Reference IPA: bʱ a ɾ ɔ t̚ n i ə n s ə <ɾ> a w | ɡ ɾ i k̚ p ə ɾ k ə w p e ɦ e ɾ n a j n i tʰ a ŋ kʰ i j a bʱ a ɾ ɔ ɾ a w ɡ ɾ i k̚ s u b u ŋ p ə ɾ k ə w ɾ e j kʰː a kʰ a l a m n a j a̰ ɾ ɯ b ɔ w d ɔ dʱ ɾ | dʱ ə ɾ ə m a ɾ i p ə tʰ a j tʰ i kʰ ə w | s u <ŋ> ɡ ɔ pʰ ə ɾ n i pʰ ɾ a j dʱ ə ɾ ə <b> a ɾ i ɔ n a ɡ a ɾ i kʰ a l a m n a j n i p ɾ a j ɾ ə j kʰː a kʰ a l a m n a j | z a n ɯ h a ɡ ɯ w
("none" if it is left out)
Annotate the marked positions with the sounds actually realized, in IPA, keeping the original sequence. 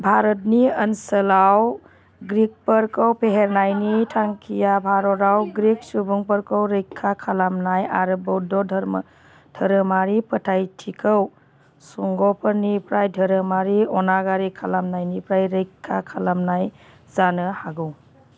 l, ŋ, m

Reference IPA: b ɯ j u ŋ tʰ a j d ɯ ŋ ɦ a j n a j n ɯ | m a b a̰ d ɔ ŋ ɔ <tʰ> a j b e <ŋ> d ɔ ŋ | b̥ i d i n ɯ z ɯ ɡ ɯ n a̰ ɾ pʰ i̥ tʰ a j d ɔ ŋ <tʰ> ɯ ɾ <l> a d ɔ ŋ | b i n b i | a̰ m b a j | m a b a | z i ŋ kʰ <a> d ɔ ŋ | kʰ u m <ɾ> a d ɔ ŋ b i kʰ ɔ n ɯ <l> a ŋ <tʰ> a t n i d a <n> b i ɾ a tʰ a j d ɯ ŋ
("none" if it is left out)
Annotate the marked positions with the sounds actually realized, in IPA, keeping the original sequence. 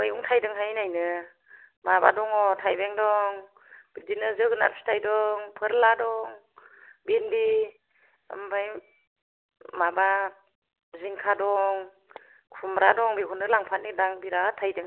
tʰ, ŋ, pʰ, l, a, ɾ, l, pʰ, ŋ

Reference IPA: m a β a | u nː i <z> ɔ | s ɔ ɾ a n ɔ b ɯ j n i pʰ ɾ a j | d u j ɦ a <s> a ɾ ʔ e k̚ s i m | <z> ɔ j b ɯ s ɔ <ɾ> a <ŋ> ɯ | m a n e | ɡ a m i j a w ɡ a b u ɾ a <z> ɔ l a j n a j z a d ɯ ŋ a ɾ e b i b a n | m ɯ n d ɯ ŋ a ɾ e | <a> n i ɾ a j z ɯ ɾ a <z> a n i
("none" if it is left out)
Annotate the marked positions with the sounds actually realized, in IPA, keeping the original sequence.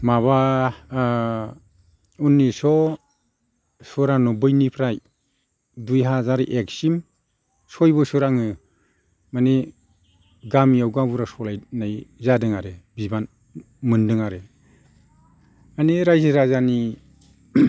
s, z, s, ɾ, ŋ, s, a, z

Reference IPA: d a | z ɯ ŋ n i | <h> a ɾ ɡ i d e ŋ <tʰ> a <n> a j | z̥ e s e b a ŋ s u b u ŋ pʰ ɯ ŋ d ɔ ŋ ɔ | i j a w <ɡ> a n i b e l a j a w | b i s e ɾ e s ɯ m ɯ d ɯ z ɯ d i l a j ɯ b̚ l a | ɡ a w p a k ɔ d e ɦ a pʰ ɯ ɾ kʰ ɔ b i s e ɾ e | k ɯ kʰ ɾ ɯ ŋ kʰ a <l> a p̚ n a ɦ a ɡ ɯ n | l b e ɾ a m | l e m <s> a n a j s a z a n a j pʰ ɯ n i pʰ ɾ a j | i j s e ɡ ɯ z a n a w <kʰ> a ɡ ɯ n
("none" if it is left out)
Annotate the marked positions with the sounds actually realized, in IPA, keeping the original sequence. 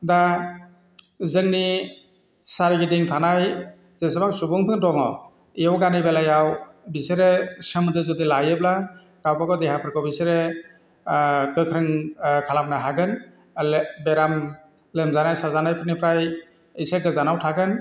s, tʰ, n, ɡ, l, z, tʰ

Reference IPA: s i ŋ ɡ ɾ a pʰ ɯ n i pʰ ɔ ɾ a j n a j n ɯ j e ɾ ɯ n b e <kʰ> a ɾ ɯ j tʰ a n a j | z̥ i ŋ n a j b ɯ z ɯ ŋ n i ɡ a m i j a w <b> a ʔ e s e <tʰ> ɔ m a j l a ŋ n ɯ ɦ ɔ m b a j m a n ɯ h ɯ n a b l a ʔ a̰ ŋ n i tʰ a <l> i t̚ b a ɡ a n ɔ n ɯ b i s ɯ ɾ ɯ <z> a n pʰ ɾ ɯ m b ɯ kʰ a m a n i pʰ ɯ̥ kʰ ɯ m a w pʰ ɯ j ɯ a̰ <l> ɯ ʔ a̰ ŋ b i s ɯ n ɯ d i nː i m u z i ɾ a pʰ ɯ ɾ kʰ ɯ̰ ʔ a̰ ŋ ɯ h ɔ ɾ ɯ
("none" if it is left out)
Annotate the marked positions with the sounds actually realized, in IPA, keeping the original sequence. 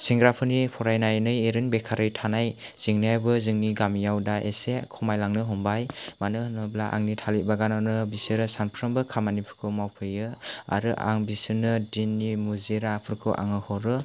kʰ, d, kʰ, l, s, ɾ

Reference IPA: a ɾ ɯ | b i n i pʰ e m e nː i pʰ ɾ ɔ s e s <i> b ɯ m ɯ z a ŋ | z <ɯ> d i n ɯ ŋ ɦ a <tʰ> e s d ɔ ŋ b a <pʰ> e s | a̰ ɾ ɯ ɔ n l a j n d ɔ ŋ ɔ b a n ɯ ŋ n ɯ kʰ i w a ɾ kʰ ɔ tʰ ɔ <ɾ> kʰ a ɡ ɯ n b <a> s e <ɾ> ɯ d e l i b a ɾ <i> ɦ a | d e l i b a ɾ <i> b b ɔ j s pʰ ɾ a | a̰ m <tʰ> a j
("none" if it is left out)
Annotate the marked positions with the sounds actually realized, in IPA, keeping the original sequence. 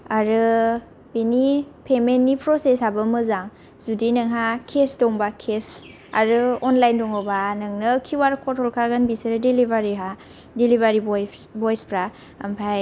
a, u, kʰ, kʰ, l, i, ɾ, i, i, pʰ

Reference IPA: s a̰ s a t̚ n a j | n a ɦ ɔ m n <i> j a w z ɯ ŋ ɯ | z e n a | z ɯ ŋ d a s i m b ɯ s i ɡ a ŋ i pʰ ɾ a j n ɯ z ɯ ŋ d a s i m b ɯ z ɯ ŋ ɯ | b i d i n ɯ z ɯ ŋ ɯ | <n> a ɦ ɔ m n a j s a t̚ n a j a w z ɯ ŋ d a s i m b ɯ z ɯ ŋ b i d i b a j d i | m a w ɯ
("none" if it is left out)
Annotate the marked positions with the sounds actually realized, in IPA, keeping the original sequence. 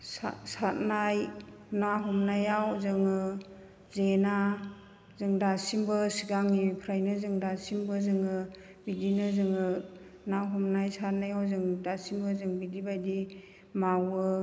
a, n

